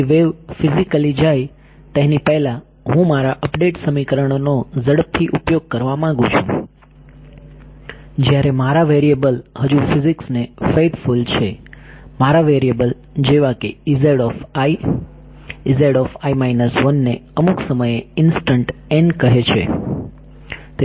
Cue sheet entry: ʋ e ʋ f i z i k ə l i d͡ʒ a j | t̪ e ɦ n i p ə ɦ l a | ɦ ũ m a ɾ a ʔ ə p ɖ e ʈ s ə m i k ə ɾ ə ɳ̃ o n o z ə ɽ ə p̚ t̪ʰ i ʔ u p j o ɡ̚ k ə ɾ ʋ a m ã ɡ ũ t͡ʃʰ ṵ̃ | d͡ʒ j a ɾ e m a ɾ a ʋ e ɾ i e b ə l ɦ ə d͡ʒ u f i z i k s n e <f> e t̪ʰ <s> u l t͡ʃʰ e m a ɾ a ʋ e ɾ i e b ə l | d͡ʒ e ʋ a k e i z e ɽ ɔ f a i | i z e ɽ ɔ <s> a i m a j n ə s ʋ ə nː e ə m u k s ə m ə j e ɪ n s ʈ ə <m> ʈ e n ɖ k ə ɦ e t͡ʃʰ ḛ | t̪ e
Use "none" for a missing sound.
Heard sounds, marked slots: f, f, f, ɳ

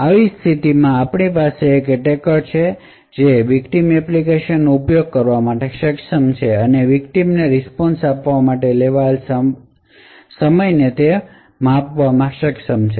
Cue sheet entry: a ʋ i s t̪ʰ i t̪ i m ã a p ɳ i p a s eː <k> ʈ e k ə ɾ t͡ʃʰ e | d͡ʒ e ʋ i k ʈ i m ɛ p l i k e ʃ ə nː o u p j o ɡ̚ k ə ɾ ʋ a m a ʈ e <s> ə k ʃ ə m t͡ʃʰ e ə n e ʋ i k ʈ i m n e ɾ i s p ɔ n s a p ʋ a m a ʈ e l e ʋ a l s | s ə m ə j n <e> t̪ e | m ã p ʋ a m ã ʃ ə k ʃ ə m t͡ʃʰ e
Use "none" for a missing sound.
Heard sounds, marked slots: k, ʃ, e

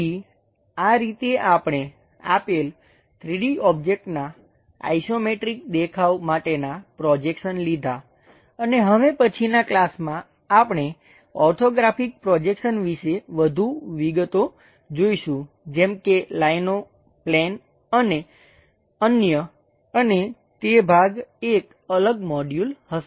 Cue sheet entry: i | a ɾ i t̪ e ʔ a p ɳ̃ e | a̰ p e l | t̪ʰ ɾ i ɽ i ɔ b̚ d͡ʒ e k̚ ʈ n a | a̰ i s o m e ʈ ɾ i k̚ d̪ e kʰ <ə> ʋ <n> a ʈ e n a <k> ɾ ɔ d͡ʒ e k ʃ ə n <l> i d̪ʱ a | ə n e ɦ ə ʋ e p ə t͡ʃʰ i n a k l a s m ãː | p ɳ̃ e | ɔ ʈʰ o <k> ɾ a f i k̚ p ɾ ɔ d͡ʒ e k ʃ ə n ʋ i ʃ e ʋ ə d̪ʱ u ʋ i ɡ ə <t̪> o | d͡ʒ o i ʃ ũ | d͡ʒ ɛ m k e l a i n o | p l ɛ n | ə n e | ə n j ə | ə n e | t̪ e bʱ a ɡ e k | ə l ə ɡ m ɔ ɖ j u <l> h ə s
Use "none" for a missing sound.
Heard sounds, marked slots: a, m, p, l, ɡ, t̪, l

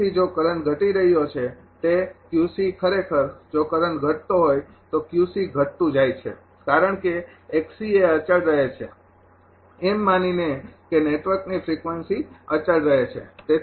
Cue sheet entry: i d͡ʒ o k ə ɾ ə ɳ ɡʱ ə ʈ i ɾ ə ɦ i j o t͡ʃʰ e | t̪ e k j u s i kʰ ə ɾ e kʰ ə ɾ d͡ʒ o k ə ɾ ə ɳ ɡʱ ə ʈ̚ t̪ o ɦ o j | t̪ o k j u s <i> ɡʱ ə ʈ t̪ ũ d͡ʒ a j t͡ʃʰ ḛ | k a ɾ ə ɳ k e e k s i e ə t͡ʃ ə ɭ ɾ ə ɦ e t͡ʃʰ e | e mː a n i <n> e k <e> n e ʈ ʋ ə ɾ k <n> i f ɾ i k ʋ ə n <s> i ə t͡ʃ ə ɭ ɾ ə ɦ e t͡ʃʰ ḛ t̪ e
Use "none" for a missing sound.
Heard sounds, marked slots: i, n, e, n, s

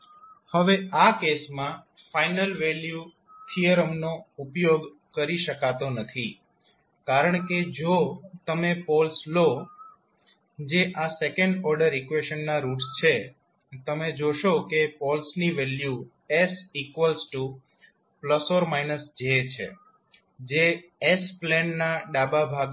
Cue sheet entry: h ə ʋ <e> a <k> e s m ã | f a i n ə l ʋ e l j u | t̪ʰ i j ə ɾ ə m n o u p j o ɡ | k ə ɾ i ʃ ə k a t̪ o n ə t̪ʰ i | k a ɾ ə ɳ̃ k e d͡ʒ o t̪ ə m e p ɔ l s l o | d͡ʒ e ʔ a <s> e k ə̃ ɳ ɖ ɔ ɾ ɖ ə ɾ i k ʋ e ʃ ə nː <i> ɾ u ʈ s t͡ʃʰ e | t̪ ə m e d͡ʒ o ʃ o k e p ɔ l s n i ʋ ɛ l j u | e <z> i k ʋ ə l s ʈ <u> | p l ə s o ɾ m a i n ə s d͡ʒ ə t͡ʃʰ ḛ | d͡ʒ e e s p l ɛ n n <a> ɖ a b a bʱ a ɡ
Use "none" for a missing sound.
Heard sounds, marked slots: e, k, s, a, s, u, a

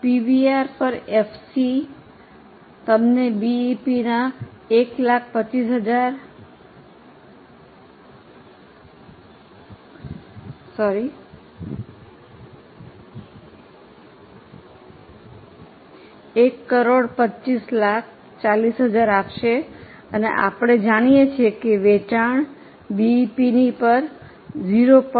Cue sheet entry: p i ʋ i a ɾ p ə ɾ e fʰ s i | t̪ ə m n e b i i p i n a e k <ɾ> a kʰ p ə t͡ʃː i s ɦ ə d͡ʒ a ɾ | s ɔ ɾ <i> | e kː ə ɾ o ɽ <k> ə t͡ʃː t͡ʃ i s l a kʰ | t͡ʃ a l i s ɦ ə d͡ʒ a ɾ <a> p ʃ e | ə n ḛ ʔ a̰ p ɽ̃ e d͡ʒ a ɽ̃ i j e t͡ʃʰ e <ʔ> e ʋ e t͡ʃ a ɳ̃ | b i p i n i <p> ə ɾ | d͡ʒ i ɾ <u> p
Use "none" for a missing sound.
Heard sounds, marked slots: l, i, p, a, k, p, o

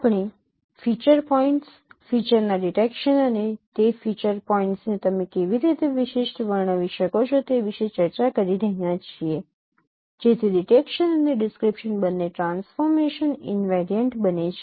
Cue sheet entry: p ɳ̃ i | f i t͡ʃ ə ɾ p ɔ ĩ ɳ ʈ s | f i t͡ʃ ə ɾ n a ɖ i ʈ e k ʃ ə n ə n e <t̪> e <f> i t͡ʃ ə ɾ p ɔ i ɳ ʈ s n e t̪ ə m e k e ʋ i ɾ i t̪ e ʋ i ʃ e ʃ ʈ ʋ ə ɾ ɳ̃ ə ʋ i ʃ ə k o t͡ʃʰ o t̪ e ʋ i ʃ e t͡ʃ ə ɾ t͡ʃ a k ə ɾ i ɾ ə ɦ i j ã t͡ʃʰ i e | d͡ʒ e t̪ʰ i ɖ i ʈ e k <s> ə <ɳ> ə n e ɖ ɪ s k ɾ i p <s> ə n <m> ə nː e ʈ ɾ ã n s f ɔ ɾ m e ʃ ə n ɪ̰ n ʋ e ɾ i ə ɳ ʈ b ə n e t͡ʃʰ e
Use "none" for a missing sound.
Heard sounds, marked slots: t̪, f, ʃ, n, ʃ, b

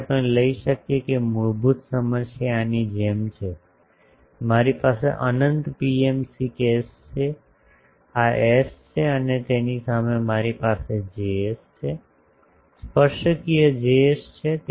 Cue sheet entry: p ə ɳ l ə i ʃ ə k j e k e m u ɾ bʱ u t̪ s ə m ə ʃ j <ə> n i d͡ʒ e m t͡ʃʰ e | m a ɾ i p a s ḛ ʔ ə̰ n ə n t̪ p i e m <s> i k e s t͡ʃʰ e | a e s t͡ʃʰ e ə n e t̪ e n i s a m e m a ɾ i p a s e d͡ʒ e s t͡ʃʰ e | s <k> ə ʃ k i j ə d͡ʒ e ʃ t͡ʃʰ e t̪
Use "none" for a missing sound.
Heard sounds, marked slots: a, s, p

